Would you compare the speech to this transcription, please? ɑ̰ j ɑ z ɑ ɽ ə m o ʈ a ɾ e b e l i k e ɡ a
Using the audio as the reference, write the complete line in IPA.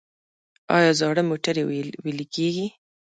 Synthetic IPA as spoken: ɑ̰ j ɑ z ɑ ɽ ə m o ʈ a ɾ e w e l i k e ɡ i